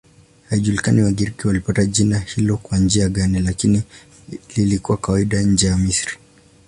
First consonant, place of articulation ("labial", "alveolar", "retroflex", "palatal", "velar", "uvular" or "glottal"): glottal